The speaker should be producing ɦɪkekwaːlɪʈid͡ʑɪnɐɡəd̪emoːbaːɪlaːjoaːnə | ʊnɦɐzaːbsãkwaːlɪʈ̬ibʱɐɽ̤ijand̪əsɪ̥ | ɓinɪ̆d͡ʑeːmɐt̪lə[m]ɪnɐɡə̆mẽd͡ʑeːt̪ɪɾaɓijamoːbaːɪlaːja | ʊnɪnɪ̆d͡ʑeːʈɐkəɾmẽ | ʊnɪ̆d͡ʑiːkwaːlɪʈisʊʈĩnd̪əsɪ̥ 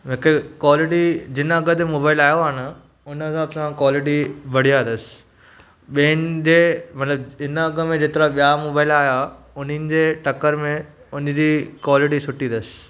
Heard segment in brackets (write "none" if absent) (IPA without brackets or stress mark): b